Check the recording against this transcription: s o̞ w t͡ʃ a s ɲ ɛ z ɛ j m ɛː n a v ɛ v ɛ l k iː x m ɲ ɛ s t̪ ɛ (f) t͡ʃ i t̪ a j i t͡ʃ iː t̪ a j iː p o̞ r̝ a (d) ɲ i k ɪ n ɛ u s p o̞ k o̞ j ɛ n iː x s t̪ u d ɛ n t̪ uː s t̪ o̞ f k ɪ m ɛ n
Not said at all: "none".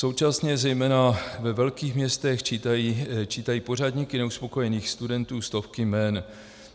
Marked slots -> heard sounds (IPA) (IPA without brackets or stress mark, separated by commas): x, d